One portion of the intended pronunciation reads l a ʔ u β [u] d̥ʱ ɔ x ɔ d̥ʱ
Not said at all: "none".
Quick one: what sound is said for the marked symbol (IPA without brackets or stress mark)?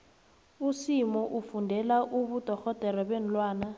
u